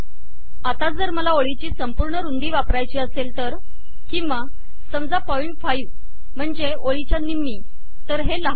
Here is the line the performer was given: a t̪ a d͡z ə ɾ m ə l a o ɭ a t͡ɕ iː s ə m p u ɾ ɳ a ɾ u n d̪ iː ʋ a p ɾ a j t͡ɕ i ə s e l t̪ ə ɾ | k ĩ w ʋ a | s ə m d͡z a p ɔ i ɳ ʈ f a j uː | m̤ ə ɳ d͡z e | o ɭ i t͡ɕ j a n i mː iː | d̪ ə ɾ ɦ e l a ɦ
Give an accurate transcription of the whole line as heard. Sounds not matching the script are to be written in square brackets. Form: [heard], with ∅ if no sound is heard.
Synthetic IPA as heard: a t̪ a d͡z ə ɾ m ə l a o ɭ [i] t͡ɕ iː s ə m p u ɾ ɳ [ə] ɾ u n d̪ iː ʋ a p ɾ a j t͡ɕ [iː] ə s e l t̪ ə ɾ | k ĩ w ʋ a | s ə m d͡z a p ɔ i ɳ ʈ f a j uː | m̤ ə ɳ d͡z e | o ɭ i t͡ɕ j a n i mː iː | [t̪] ə ɾ ɦ e l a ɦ